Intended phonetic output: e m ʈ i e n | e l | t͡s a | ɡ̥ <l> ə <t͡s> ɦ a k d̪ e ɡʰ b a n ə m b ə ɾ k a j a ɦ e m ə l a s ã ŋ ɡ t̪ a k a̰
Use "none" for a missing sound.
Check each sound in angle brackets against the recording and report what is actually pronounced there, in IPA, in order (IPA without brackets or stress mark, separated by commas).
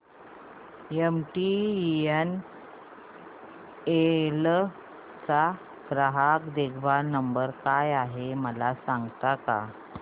ɾ, none